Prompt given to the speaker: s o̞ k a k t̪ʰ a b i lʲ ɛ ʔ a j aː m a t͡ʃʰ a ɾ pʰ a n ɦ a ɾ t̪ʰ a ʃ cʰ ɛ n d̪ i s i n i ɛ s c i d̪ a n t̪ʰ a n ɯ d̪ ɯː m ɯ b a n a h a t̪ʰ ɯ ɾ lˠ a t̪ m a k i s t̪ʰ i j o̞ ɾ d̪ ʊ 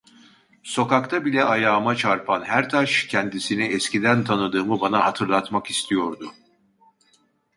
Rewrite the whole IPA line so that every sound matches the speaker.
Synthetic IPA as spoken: s o̞ k a k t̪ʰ a b i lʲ ɛ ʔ a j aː m a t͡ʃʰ a ɾ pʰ a n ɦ æ ɾ t̪ʰ a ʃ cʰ ɛ n d̪ i s i n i ɛ s c i d̪ æ n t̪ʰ a n ɯ d̪ ɯː m ɯ b a n a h a t̪ʰ ɯ ɾ lˠ a t̪ m a k i s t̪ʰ i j o̞ ɾ d̪ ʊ